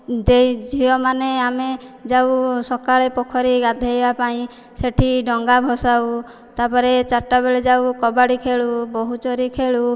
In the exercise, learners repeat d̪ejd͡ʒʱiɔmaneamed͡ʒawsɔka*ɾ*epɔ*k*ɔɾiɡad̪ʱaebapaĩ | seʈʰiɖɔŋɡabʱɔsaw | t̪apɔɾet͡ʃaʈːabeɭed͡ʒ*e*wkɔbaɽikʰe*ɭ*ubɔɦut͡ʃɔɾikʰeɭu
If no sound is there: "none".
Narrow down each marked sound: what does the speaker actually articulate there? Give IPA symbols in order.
ɭ, kʰ, a, ɭ

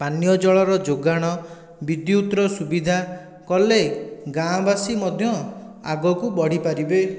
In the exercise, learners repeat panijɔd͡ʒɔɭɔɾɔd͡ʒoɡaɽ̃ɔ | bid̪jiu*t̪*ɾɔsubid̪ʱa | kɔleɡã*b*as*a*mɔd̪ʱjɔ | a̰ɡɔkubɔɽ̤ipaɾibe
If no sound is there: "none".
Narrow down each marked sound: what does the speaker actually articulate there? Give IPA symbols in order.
t̪, b, i

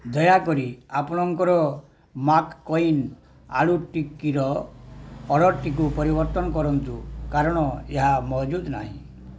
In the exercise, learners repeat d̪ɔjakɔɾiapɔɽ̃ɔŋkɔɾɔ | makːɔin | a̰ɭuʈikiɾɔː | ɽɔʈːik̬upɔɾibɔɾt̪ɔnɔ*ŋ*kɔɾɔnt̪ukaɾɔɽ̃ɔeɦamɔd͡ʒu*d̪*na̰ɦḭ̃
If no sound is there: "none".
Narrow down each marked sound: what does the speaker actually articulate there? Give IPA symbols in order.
none, d̪

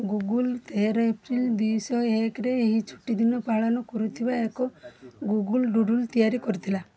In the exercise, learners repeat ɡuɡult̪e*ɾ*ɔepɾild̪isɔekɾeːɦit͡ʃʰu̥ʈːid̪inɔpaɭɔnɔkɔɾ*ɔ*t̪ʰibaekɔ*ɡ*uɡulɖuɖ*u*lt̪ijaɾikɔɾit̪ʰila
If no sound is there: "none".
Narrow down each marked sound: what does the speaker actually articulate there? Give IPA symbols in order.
ɾ, u, ɡ, u

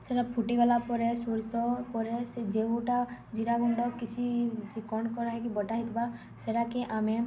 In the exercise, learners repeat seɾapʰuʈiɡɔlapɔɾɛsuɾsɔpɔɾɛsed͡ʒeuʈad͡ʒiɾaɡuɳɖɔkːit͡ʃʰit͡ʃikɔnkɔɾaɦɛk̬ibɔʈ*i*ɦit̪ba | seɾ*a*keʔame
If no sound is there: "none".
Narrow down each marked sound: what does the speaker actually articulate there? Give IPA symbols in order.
a, a

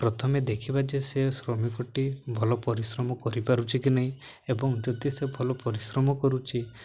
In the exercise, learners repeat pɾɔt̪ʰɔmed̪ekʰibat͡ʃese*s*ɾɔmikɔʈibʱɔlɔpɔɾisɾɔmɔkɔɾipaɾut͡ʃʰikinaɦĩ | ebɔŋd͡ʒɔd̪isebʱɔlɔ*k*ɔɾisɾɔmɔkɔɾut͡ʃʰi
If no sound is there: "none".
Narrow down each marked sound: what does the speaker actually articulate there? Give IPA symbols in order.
s, p

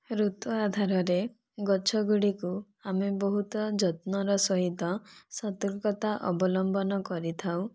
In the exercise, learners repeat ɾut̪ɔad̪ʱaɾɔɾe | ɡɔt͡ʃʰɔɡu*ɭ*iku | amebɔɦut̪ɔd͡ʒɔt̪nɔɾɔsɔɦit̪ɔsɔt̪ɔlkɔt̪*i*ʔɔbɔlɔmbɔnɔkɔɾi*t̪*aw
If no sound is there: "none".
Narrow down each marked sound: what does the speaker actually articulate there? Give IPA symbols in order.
ɽ, a, t̪ʰ

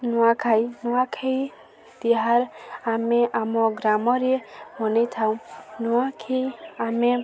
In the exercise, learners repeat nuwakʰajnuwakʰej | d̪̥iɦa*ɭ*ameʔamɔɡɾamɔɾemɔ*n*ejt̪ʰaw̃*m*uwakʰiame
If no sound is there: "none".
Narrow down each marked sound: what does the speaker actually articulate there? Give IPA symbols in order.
ɾ, n, n

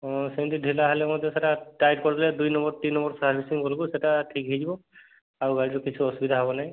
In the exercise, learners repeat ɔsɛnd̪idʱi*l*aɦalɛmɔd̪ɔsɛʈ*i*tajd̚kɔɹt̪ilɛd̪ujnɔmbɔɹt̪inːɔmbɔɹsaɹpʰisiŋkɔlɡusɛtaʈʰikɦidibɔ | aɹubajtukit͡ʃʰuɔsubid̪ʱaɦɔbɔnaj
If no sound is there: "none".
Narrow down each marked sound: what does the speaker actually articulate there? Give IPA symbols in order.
l, a

